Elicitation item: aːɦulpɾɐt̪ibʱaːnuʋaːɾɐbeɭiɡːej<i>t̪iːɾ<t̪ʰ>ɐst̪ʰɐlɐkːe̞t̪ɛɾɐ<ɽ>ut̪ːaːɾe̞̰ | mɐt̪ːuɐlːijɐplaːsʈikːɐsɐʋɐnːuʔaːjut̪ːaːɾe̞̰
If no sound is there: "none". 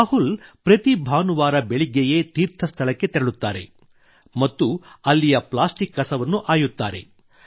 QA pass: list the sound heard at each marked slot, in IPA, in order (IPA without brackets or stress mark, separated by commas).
e, t̪ʰ, ɭ